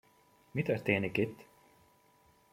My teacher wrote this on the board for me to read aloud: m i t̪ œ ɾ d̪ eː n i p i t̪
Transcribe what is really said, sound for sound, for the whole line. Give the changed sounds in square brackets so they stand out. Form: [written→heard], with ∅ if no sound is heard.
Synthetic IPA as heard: m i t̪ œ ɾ [d̪→t̪] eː n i [p→k] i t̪